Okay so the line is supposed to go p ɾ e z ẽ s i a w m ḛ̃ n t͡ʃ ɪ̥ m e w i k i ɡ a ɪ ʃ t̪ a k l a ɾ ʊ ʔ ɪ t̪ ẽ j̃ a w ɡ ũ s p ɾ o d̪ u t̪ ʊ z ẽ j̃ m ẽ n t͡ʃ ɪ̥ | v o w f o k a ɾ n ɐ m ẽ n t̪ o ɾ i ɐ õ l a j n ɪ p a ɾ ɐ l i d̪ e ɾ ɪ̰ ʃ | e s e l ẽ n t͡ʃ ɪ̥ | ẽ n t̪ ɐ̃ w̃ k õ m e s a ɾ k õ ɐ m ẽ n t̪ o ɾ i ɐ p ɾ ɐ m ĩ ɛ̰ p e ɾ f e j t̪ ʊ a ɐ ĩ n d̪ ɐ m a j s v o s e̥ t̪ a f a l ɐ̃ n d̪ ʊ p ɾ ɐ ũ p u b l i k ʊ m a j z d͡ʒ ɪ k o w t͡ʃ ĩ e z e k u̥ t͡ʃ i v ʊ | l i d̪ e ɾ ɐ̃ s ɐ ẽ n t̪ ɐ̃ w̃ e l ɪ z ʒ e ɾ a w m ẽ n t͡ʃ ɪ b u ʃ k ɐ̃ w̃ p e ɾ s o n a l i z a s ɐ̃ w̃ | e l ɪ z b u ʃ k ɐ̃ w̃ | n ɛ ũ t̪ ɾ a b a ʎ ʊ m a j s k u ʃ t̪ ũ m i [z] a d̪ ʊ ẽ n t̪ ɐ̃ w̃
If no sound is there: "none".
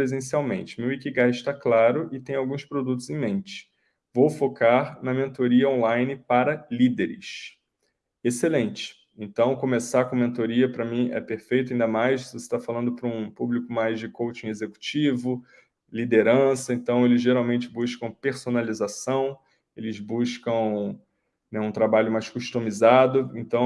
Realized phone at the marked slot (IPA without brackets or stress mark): z